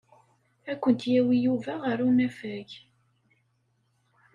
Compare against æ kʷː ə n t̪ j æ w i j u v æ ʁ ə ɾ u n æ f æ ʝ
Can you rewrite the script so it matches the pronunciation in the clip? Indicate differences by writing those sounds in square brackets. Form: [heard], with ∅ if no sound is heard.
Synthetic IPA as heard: æ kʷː ə n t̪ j æ w i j u v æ ʁ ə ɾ u n æ f æ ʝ

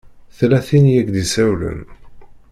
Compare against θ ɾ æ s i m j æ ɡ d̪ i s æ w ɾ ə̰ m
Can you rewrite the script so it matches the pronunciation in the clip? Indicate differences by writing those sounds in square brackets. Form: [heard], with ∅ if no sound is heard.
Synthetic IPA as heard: θ [l] æ [θ] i [n] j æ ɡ d̪ i s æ w [l] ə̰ [n]

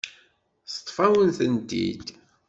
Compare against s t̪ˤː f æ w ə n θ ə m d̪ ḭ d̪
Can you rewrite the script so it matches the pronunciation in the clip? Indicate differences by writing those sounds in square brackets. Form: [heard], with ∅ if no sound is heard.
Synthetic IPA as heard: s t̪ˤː f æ w ə n θ ə [n] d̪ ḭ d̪

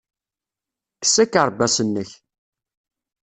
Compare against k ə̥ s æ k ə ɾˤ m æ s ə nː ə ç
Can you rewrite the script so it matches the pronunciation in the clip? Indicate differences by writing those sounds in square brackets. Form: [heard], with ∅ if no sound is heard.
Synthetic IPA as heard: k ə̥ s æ k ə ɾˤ [b] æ s ə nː ə ç

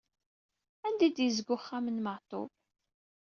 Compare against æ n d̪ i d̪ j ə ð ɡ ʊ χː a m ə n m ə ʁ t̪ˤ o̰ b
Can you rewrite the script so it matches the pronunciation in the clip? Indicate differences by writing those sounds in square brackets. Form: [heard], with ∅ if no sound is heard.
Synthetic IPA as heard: æ n d̪ i d̪ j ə [z] ɡ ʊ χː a m ə n m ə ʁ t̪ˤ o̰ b

